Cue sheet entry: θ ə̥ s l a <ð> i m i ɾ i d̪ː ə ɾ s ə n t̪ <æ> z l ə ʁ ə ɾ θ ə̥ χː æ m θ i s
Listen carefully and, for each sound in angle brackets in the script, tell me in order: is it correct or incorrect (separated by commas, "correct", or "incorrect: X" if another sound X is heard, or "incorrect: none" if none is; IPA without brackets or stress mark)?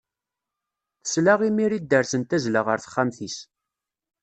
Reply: incorrect: ʁ, correct